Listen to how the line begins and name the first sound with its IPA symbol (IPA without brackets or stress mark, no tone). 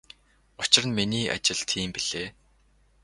ʊ